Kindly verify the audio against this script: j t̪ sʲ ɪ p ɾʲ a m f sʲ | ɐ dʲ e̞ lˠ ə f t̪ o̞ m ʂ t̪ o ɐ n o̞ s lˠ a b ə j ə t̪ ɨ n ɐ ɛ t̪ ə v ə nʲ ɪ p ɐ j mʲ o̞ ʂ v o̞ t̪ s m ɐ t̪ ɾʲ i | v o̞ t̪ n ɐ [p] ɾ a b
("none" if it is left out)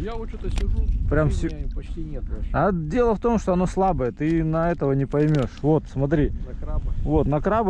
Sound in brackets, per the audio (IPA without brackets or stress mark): k